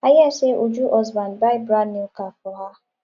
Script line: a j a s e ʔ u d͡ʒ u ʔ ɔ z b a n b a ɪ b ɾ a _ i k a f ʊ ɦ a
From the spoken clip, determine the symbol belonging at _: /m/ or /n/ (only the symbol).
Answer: n